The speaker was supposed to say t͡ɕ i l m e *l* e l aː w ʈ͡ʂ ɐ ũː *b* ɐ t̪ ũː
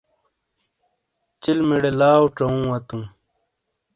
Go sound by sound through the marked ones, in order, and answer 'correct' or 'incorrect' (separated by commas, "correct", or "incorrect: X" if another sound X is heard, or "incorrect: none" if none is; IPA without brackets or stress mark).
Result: incorrect: ɽ, incorrect: w